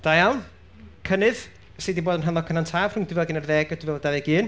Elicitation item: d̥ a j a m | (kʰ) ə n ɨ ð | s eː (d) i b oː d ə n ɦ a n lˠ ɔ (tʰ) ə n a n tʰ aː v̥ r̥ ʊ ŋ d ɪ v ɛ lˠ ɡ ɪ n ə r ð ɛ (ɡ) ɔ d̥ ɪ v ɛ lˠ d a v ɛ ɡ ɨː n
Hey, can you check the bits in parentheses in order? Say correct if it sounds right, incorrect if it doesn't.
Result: correct, correct, incorrect: kʰ, correct

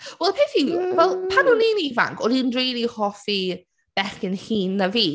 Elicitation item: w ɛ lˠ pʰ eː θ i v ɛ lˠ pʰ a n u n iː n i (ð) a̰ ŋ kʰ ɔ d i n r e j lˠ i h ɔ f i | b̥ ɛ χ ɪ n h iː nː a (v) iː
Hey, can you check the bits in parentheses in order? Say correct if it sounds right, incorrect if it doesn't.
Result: incorrect: v, correct

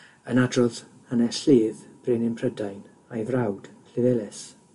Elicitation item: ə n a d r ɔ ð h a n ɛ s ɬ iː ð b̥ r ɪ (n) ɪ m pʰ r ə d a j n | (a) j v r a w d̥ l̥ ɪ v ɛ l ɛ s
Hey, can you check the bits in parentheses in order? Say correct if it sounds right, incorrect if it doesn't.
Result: correct, correct

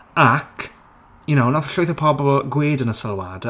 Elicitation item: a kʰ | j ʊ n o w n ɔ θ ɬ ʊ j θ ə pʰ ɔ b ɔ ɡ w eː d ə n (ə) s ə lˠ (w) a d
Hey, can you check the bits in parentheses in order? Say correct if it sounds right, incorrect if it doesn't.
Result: correct, correct

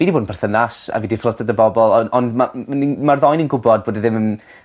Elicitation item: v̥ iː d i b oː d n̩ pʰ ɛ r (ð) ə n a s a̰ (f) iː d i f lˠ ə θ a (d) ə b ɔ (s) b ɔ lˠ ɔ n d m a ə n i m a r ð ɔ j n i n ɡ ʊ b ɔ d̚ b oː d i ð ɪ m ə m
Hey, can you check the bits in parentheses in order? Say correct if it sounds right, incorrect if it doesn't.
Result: incorrect: θ, incorrect: v, correct, incorrect: none

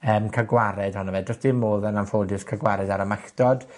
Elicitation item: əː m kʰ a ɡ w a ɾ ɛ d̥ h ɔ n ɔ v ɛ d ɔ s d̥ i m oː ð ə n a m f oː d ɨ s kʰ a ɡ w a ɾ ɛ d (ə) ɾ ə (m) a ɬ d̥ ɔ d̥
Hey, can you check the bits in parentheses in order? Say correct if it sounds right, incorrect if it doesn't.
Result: incorrect: a, correct

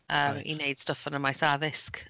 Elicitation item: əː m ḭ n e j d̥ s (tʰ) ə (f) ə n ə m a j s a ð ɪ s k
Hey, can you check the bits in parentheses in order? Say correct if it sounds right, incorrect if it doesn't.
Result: incorrect: t, correct

